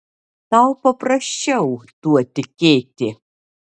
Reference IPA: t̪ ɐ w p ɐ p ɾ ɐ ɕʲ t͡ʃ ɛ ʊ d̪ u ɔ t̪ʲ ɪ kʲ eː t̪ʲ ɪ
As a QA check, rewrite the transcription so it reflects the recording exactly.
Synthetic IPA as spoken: t̪ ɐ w p ɐ p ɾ ɐ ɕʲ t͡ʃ ɛ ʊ t̪ u ɔ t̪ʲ ɪ kʲ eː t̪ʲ ɪ